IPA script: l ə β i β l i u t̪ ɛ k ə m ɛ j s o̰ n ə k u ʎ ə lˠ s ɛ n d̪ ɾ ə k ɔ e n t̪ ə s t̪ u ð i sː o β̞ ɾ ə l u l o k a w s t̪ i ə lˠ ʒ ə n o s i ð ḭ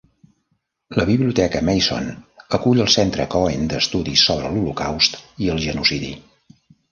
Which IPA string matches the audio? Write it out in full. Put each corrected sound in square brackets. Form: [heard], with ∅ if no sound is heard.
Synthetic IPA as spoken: l ə β i β l i u t̪ ɛ k ə m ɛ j s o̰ n ə k u ʎ ə lˠ s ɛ n [t̪] ɾ ə k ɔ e n [d̪] ə s t̪ u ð i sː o β̞ ɾ ə l u l [u] k a w s t̪ i ə lˠ ʒ ə n [u] s i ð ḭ